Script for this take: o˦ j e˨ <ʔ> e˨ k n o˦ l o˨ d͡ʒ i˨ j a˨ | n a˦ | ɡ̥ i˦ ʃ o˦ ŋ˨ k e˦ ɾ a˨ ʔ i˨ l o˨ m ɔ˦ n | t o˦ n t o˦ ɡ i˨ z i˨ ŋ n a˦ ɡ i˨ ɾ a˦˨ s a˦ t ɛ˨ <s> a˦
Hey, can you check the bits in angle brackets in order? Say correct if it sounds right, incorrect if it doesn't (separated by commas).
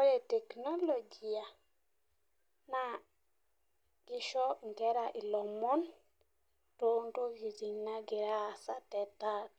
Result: incorrect, incorrect